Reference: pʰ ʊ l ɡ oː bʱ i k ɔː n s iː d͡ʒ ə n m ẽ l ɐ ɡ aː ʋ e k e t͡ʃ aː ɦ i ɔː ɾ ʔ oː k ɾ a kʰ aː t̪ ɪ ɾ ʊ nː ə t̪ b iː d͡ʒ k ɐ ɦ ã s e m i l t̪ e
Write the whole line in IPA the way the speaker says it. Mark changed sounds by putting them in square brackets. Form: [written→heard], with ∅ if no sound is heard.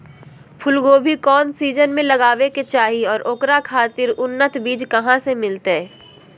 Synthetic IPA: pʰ ʊ l ɡ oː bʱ i k ɔː n s iː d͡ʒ ə n m ẽ l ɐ ɡ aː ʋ e k e t͡ʃ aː ɦ i ɔː ɾ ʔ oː k ɾ a kʰ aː t̪ ɪ ɾ ʊ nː ə t̪ b iː d͡ʒ k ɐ ɦ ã s e m [i→ɪ] l t̪ e